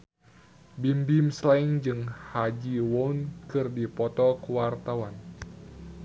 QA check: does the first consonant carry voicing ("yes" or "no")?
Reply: yes